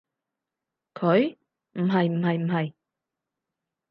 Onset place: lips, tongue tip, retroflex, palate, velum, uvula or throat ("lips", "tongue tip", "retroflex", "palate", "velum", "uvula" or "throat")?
velum